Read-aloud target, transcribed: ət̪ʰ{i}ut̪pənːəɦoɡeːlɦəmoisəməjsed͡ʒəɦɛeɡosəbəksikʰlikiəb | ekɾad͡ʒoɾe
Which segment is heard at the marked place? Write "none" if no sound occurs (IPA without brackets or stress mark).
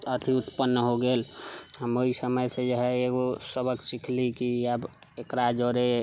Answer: i